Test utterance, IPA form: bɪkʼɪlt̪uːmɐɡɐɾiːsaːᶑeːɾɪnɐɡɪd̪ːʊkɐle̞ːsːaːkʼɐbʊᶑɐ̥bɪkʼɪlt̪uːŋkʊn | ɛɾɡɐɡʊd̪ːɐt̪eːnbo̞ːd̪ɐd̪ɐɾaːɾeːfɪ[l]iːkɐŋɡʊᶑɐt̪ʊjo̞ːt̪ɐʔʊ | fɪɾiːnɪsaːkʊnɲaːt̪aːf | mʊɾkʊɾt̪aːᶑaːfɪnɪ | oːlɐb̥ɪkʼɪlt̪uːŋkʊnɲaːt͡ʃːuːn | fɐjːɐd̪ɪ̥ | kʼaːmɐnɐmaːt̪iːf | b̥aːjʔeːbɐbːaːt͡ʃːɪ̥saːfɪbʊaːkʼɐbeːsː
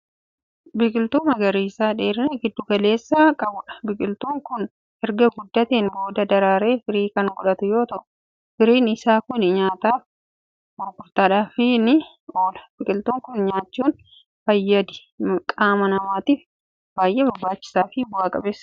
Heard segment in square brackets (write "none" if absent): ɾ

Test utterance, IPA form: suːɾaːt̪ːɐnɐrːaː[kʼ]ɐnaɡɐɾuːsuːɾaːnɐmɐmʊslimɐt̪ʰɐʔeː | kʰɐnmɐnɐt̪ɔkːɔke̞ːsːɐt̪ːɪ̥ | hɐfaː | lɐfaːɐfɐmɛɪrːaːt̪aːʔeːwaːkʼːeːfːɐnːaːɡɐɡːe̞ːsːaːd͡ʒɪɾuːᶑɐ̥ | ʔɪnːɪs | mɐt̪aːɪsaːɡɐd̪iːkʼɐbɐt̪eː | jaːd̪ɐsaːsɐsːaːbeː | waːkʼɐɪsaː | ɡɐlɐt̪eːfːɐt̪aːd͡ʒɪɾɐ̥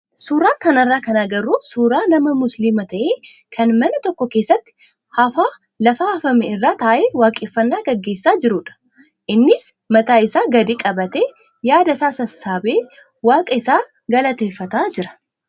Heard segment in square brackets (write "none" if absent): k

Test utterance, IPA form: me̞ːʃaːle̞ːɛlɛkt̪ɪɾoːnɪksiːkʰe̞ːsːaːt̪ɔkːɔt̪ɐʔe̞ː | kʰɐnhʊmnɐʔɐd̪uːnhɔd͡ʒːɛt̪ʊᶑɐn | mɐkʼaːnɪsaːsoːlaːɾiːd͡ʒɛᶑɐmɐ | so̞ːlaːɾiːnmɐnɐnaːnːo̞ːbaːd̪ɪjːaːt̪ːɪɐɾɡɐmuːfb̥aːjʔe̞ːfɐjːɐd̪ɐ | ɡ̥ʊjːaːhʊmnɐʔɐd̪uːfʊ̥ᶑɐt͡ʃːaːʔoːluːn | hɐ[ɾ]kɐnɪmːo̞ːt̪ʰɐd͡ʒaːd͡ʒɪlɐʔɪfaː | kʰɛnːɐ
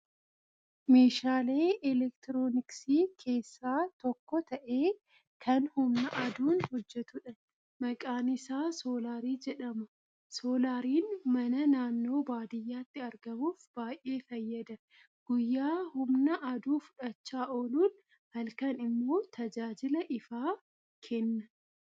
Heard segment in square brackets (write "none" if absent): l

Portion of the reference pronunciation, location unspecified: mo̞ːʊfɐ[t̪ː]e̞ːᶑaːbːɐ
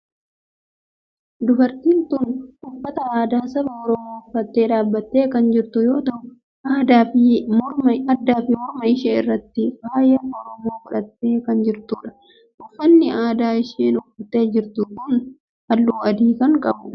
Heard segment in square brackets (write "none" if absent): t̪ː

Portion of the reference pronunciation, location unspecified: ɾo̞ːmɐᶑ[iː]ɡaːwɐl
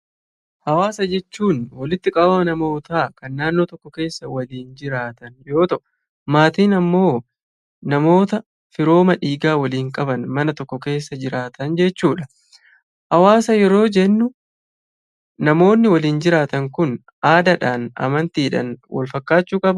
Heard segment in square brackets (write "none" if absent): iː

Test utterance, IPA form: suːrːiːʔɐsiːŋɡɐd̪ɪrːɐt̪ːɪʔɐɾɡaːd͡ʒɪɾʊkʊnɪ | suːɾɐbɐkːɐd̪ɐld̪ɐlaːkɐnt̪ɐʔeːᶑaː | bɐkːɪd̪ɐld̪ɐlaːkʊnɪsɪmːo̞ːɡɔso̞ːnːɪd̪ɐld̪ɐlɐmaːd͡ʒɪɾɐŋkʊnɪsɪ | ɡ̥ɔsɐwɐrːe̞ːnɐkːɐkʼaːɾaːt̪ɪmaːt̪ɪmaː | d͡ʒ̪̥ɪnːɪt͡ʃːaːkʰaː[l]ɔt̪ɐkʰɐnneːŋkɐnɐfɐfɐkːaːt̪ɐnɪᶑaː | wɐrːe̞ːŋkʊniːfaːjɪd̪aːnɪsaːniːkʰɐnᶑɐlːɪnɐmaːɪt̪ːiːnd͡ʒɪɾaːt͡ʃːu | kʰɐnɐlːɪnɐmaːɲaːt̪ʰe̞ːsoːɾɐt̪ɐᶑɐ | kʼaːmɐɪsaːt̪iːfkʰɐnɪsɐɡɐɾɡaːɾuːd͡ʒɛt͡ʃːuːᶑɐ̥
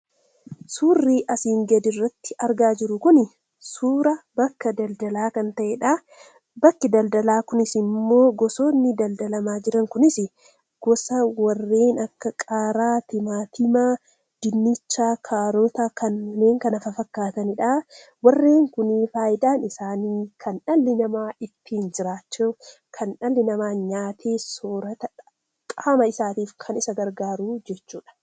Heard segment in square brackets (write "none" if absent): ɾ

